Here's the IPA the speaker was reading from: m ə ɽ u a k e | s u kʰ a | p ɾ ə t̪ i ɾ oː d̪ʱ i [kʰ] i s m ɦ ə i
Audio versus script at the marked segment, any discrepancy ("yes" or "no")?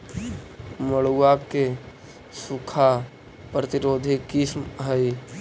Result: yes